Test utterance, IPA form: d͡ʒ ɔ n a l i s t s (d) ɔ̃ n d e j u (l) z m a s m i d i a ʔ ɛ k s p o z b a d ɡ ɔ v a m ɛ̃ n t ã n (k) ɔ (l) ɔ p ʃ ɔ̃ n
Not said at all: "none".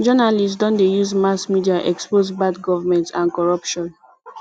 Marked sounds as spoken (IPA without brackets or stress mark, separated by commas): d, none, k, ɹ